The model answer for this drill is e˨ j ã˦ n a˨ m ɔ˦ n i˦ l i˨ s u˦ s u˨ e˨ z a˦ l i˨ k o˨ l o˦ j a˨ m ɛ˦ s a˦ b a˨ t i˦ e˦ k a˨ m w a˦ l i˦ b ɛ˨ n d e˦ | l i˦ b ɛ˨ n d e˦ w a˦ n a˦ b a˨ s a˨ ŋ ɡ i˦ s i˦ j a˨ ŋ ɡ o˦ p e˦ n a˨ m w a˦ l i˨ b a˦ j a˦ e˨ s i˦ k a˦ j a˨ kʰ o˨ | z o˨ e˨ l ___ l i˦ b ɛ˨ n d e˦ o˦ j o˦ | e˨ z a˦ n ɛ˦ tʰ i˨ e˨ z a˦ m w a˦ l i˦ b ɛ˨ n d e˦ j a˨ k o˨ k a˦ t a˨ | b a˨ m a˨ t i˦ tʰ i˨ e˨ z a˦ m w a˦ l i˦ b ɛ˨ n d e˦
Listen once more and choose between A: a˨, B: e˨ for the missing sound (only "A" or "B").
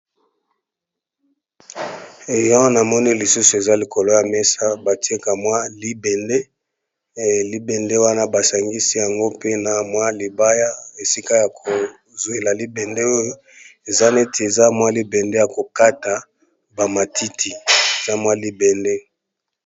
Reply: A